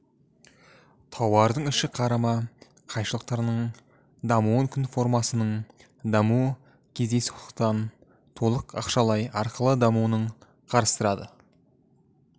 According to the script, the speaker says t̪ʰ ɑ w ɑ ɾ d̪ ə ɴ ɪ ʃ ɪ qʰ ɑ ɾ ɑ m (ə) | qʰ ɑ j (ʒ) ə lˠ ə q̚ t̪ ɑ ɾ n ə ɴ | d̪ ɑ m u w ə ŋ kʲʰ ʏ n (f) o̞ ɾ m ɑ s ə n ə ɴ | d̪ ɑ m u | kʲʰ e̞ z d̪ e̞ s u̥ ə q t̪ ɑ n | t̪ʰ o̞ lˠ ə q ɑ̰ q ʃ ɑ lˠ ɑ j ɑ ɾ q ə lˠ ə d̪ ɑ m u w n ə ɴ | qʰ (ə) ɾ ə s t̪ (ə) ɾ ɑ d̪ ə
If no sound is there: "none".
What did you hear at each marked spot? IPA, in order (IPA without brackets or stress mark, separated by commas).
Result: ɑ, ʃ, f, ɑ, ə